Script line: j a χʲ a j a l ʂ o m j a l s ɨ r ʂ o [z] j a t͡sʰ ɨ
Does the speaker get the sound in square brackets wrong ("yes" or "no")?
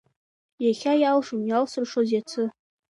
no